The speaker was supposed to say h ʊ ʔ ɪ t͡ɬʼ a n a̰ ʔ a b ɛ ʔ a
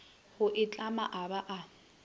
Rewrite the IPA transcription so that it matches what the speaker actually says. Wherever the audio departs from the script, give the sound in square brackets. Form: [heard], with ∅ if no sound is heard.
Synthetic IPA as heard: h ʊ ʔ ɪ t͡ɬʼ a [m] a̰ ʔ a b [a] ʔ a